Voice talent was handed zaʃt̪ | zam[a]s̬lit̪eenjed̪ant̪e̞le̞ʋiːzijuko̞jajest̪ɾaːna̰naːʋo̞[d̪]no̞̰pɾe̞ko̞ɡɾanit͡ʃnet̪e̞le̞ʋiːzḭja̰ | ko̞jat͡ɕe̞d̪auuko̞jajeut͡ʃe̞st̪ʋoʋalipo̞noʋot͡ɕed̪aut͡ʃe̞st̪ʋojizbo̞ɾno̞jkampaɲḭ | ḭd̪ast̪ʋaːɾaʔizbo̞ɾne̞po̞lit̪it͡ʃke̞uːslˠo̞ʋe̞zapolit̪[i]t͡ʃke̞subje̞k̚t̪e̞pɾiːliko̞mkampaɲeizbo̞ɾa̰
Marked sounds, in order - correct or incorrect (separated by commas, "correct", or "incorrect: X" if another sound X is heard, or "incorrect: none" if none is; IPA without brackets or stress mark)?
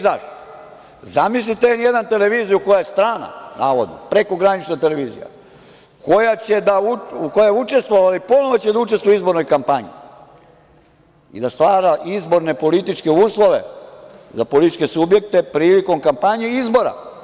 incorrect: i, correct, correct